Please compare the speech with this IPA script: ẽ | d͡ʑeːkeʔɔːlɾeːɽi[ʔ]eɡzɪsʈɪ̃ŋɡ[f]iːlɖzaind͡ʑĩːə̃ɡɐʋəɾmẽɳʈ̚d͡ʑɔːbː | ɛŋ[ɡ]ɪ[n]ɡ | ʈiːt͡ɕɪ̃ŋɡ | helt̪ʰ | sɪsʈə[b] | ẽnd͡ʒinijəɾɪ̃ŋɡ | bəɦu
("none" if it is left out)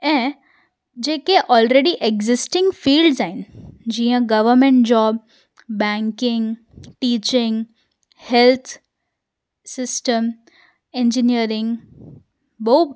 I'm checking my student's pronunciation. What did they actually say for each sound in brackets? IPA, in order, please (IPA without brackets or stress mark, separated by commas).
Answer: ʔ, f, k, ŋ, m